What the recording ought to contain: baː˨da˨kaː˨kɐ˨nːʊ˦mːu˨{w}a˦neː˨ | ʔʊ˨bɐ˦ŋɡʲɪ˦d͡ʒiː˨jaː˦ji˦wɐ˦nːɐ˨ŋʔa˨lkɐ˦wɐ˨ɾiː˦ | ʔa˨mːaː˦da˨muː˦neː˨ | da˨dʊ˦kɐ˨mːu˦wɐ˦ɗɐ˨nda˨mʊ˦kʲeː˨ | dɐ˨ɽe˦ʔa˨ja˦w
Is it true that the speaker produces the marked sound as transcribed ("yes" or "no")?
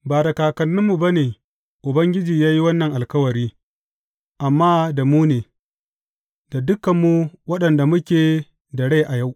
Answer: no